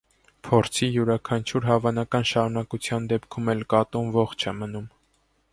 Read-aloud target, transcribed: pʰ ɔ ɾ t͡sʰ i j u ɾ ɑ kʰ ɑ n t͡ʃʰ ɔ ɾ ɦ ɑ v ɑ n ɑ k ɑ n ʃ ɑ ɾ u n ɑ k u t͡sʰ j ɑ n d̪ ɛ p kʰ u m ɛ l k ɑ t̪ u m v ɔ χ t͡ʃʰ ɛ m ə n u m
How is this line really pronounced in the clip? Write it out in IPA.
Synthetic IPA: pʰ ɔ ɾ t͡sʰ i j u ɾ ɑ kʰ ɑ n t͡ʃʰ u ɾ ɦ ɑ v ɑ n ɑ k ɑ n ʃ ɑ ɾ u n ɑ k u t͡sʰ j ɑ n d̪ ɛ p kʰ u m ɛ l k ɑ t̪ u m v ɔ χ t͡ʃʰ ɛ m ə n u m